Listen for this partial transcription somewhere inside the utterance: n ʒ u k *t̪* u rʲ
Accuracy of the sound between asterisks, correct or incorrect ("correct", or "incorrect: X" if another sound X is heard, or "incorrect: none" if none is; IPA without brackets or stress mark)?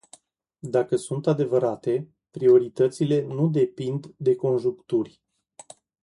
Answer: correct